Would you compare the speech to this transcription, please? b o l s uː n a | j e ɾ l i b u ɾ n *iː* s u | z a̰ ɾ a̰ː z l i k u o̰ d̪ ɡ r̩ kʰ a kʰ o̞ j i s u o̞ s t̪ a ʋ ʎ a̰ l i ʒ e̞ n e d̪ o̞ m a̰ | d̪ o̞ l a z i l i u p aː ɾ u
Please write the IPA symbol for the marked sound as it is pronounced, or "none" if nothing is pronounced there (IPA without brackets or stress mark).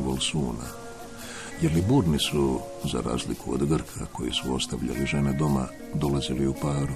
i